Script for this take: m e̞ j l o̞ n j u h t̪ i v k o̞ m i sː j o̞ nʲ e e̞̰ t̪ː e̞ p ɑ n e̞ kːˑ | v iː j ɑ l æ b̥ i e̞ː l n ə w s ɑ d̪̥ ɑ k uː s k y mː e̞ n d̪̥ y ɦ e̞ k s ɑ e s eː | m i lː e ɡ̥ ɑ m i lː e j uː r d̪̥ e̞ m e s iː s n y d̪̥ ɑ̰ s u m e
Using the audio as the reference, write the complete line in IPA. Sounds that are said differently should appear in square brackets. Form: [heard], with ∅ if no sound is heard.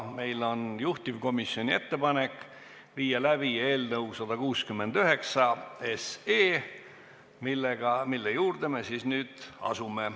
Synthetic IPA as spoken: m e̞ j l o̞ n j u h t̪ i v k o̞ m i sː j o̞ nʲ [i] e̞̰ t̪ː e̞ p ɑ n e̞ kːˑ | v iː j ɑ l æ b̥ i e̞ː l n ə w s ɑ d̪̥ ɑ k uː s k y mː e̞ n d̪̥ y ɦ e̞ k s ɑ e s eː | m i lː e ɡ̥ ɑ m i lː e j uː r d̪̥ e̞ m e s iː s n [yː] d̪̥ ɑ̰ s u m e